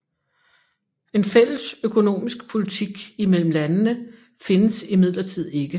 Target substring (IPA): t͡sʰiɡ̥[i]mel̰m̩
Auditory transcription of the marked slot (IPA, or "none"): i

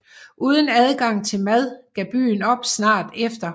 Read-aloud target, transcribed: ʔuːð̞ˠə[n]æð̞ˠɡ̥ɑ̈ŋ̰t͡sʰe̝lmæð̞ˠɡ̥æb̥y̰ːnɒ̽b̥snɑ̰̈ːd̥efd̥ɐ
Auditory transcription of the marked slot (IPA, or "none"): n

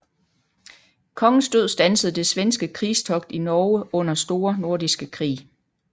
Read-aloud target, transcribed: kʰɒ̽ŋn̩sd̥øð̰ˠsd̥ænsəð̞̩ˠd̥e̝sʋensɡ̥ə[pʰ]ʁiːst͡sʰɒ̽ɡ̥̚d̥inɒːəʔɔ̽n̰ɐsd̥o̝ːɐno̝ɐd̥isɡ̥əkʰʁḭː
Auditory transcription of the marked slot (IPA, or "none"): kʰ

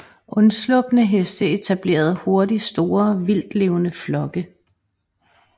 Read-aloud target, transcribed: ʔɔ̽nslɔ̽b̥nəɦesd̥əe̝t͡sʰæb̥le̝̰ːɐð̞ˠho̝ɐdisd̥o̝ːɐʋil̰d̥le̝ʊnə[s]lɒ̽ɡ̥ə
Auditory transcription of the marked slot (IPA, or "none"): f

